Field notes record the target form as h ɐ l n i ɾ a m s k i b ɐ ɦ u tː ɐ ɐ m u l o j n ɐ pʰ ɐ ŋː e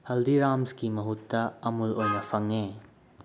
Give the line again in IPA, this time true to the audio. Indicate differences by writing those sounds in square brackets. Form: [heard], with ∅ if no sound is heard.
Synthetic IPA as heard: h ɐ l [d] i ɾ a m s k i [m] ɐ ɦ u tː ɐ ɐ m u l o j n ɐ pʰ ɐ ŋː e